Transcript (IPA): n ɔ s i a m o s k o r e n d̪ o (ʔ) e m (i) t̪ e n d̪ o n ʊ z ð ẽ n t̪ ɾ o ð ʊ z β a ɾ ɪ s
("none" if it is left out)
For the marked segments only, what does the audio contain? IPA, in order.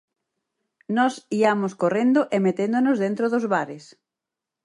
ʔ, e

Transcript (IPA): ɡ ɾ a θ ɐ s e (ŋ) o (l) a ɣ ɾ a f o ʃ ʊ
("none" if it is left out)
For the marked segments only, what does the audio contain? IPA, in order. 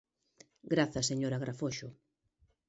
ɲ, ɾ

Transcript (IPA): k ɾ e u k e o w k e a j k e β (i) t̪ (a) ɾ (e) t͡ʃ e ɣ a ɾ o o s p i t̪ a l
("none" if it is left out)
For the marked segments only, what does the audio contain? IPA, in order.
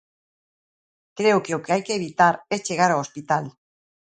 i, a, e

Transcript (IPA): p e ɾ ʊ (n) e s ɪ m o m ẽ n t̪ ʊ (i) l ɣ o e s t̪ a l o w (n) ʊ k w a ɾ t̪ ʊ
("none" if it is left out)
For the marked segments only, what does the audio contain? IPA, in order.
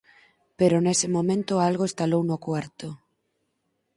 n, a, n

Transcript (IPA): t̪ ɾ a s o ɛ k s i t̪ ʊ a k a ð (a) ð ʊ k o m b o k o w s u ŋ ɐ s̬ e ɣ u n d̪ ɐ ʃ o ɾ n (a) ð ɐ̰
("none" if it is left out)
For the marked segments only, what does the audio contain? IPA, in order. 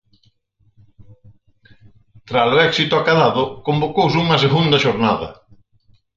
a, a

